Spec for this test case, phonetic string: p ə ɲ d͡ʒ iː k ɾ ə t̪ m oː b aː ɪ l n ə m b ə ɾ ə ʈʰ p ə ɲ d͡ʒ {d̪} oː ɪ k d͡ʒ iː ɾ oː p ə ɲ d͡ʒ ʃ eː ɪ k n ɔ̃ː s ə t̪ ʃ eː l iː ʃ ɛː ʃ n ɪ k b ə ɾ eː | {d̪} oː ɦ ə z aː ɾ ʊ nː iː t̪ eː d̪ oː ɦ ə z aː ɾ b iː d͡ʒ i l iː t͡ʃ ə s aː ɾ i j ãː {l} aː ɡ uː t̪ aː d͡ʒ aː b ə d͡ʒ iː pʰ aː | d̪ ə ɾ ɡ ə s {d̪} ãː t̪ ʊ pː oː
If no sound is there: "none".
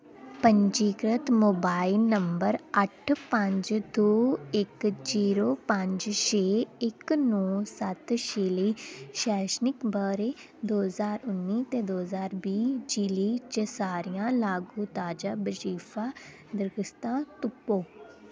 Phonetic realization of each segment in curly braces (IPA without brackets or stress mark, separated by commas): d̪, d̪, l, t̪